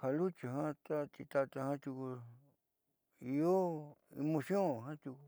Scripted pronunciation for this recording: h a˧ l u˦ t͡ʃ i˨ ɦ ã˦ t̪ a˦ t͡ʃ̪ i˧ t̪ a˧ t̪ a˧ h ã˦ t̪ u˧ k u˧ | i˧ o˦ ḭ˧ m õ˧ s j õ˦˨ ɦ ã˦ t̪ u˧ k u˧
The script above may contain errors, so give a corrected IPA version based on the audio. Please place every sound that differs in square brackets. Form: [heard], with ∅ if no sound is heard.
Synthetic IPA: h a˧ l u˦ t͡ʃ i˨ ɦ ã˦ t̪ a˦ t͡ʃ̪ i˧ t̪ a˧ t̪ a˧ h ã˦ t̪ u˧ k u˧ | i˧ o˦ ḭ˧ m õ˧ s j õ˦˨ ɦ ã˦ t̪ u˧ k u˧